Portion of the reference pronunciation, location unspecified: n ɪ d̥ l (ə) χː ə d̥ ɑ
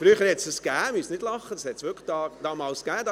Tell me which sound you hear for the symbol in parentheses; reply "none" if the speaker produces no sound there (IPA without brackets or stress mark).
ɑ